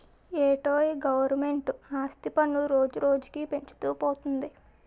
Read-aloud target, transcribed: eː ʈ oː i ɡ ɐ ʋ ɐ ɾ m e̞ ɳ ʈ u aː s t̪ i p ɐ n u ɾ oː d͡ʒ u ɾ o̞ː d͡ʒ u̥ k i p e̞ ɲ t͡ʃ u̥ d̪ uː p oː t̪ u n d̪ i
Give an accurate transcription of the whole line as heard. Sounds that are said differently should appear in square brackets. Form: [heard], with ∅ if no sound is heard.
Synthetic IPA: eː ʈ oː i ɡ ɐ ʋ ɐ ɾ m e̞ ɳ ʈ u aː s t̪ i p ɐ n u ɾ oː d͡ʒ u ɾ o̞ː d͡ʒ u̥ k i p e̞ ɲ t͡ʃ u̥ [t̪] uː p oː t̪ u n d̪ i